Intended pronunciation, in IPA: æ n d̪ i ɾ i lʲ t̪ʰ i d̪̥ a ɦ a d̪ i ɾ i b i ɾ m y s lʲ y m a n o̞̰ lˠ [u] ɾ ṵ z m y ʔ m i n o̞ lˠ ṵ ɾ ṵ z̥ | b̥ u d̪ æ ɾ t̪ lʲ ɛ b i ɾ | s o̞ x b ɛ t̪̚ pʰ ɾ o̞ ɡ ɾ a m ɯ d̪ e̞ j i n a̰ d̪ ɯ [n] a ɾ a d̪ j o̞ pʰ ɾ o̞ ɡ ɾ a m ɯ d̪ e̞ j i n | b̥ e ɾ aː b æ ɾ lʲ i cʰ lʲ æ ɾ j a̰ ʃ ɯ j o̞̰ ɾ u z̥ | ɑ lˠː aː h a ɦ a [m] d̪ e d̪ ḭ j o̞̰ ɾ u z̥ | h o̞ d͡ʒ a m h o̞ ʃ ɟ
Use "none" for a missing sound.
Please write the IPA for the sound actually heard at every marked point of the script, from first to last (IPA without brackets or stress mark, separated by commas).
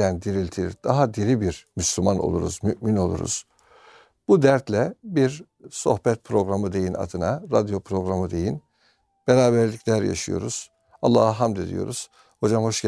u, n, m